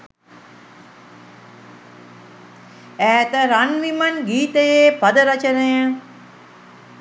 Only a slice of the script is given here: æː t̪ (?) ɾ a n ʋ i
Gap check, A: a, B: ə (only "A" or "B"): B